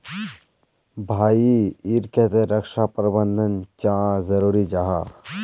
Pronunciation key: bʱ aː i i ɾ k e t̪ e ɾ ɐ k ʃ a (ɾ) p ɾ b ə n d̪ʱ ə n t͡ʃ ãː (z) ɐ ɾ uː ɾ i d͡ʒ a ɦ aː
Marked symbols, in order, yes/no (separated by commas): no, yes